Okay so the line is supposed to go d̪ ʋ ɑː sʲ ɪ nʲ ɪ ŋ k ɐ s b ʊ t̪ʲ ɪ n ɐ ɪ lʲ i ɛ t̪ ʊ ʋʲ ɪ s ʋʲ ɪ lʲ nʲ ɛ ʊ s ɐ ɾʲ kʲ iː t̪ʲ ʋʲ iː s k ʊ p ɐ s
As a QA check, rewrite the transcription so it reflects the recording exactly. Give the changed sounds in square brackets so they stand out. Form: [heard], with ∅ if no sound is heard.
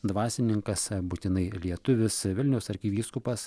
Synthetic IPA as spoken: d̪ ʋ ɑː sʲ ɪ nʲ ɪ ŋ k ɐ s b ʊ t̪ʲ ɪ n ɐ ɪ lʲ i ɛ t̪ ʊ ʋʲ ɪ s ʋʲ ɪ lʲ nʲ ɛ ʊ s ɐ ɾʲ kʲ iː [∅] ʋʲ iː s k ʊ p ɐ s